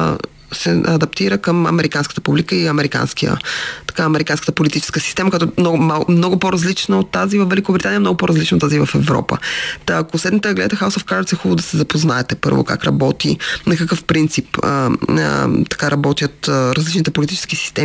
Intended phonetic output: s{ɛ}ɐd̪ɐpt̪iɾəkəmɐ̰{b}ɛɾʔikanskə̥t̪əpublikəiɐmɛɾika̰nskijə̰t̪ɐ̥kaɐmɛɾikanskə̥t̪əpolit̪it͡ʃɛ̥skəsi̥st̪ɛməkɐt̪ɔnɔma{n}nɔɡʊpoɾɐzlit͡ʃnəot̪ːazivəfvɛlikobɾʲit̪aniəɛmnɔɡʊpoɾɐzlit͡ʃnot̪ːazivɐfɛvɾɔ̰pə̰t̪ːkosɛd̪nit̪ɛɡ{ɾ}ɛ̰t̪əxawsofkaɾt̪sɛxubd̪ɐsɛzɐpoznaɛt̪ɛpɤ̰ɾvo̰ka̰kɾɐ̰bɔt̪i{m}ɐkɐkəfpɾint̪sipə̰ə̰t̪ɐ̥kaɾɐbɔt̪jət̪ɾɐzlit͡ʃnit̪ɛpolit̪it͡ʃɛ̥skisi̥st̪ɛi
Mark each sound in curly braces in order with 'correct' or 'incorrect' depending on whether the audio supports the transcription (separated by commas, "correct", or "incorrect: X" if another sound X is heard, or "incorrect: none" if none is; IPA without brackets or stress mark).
correct, incorrect: m, incorrect: m, incorrect: l, incorrect: n